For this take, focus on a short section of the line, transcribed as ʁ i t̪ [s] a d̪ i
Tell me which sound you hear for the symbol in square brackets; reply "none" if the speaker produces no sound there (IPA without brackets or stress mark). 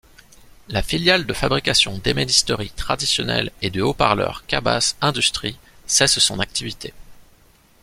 χ